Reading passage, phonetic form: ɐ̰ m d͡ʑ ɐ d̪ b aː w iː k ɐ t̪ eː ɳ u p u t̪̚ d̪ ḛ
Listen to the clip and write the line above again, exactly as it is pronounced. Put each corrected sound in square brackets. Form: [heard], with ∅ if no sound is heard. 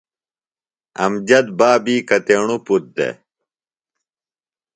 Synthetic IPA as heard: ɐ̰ m d͡ʑ ɐ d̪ b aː [b] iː k ɐ t̪ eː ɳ u p u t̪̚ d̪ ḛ